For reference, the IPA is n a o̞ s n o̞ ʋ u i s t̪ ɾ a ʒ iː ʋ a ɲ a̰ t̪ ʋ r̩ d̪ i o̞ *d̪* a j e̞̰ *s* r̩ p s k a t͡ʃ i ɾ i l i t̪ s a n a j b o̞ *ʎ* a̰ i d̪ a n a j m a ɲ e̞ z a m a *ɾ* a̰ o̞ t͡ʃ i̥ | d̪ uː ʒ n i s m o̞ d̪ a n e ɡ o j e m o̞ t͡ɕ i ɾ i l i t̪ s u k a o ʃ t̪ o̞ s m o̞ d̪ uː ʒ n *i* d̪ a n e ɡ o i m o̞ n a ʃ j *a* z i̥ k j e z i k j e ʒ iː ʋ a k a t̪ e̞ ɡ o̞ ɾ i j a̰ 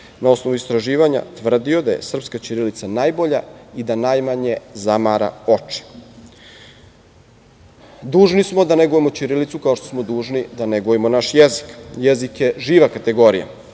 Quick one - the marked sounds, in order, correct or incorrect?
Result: correct, correct, correct, correct, correct, incorrect: e

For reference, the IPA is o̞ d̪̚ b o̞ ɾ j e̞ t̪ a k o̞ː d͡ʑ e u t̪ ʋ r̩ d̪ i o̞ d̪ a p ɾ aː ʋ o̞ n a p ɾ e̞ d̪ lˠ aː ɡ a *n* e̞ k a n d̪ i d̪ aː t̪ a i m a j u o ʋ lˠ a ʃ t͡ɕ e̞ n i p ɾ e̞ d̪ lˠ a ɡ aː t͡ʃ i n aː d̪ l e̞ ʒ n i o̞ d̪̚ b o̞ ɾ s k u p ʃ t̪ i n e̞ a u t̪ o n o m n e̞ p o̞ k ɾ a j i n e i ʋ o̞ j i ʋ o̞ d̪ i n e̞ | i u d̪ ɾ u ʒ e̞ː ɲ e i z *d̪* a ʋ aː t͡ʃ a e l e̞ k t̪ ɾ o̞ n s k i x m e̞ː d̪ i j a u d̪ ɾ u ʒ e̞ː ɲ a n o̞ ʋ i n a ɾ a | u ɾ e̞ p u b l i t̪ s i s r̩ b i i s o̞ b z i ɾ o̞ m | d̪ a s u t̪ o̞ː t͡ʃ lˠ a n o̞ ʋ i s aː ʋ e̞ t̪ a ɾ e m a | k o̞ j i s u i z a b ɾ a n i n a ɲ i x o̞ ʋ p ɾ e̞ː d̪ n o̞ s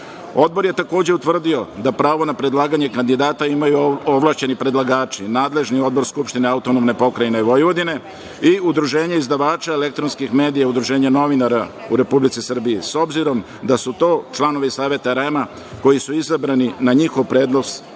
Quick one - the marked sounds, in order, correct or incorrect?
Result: incorrect: ɲ, correct

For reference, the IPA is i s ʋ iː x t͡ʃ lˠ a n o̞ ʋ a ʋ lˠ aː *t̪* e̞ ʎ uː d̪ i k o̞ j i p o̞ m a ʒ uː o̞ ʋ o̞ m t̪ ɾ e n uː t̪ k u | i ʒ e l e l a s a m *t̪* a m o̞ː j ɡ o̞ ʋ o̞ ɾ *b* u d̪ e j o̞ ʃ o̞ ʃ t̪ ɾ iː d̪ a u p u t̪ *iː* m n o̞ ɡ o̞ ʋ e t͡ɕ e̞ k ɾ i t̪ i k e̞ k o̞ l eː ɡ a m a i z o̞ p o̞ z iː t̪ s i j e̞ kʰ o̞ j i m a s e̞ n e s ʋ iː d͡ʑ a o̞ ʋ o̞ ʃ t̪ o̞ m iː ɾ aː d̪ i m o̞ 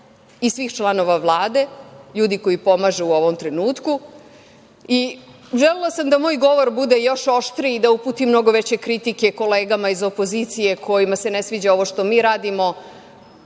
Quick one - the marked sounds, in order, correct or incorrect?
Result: incorrect: d̪, incorrect: d̪, correct, incorrect: i

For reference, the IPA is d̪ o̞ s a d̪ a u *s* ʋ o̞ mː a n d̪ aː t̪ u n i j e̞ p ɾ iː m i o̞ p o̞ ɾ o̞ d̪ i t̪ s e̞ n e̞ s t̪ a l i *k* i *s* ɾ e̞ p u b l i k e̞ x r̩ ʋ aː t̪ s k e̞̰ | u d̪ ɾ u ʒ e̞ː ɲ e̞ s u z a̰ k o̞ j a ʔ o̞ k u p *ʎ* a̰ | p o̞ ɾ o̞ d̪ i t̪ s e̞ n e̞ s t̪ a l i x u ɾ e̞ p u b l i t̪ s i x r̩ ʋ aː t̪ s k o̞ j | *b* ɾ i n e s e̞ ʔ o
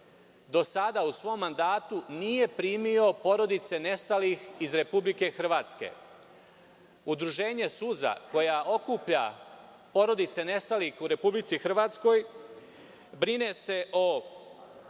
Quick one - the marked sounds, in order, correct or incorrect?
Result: correct, incorrect: x, incorrect: z, correct, correct

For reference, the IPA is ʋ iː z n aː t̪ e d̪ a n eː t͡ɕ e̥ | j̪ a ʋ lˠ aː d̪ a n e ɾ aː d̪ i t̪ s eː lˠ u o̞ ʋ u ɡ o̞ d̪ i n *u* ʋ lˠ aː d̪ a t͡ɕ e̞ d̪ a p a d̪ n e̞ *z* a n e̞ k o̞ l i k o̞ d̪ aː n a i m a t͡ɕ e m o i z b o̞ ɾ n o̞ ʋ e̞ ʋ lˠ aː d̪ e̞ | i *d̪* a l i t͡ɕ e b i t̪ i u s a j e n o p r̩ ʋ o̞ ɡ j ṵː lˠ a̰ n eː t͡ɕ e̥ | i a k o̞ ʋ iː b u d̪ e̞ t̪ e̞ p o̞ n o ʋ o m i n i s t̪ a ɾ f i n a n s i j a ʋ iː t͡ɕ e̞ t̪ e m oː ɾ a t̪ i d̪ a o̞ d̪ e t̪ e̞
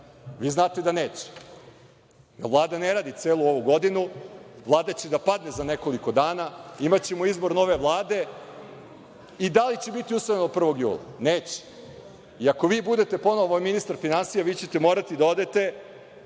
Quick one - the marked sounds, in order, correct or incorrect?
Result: correct, correct, correct

